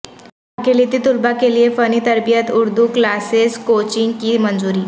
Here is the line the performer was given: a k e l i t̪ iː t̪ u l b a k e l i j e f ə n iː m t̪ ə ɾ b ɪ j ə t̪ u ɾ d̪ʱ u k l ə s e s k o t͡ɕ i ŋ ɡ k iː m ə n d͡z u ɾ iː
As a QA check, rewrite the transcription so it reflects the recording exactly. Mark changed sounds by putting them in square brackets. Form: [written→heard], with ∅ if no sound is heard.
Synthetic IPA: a k e l i t̪ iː t̪ u l b a k e l i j e f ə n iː [m→∅] t̪ ə ɾ b [ɪ→i] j ə t̪ u ɾ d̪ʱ u k l [ə→a] s e s k o t͡ɕ i ŋ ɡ k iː m ə n d͡z u ɾ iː

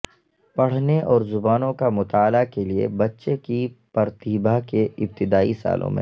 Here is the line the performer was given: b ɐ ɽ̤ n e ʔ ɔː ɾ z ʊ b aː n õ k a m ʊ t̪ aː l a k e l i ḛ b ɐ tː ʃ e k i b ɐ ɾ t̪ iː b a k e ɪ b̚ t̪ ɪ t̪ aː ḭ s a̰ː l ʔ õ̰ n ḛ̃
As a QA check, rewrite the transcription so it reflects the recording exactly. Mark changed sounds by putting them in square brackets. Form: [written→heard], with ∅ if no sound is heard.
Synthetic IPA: [b→p] ɐ ɽ̤ n e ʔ ɔː ɾ z ʊ b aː n õ k a m ʊ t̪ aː l a k e l i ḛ b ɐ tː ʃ e k i [b→p] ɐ ɾ t̪ iː b a k e ɪ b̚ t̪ ɪ [t̪→d̪] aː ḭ s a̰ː l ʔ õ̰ [n→m] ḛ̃

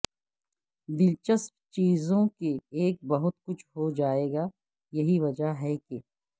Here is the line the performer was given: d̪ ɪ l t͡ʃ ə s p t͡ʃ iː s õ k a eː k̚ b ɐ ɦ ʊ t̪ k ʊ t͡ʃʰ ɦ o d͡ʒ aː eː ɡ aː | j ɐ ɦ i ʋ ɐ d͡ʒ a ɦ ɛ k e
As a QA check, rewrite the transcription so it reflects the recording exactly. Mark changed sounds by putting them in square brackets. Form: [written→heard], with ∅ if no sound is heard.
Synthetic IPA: d̪ ɪ l t͡ʃ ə s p t͡ʃ iː [s→z] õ k [a→e] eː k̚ b ɐ ɦ ʊ t̪ k ʊ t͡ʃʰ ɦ o d͡ʒ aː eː ɡ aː | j ɐ ɦ i ʋ ɐ d͡ʒ a ɦ ɛ k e

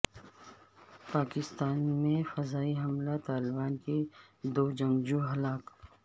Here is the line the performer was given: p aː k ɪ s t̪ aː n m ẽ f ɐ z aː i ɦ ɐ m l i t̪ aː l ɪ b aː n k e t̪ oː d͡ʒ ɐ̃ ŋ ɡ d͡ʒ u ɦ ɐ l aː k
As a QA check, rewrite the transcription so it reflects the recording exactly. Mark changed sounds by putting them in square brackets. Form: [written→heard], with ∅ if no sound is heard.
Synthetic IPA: p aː k ɪ s t̪ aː n m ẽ f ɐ z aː i ɦ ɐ m l [i→a] t̪ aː l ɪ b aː n k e [t̪→d̪] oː d͡ʒ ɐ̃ ŋ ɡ d͡ʒ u ɦ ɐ l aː k

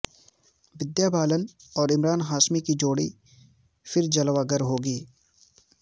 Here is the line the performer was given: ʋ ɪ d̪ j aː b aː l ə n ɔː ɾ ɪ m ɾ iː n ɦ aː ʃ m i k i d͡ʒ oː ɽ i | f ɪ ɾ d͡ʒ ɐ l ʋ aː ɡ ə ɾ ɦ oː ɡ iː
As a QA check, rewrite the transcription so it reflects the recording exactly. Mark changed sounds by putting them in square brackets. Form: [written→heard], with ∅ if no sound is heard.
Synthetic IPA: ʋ ɪ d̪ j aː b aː l ə n ɔː ɾ ɪ m ɾ [iː→aː] n ɦ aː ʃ m i k i d͡ʒ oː ɽ i | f ɪ ɾ d͡ʒ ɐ l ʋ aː ɡ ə ɾ ɦ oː ɡ iː

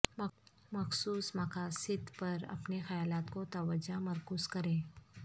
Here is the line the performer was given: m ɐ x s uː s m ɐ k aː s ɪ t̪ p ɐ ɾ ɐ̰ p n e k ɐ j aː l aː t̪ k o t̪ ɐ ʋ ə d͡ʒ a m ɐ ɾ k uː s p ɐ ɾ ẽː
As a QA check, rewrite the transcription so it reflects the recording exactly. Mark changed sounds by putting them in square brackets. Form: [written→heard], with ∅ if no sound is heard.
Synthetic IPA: m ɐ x s uː s m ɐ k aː s ɪ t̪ p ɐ ɾ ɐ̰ p n e [k→x] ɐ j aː l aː t̪ k o t̪ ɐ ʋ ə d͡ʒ a m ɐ ɾ k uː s [p→k] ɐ ɾ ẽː

